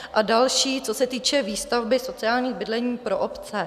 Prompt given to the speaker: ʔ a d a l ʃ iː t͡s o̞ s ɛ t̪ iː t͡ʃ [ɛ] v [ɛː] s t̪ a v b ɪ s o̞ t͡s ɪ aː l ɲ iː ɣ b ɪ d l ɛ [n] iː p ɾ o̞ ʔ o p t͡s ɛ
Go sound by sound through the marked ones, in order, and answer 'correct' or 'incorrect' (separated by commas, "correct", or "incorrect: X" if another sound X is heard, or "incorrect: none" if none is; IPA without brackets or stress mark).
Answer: correct, incorrect: iː, incorrect: ɲ